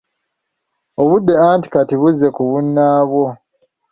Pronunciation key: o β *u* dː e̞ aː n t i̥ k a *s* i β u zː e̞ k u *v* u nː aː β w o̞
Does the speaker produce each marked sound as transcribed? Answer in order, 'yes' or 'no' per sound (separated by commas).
yes, no, no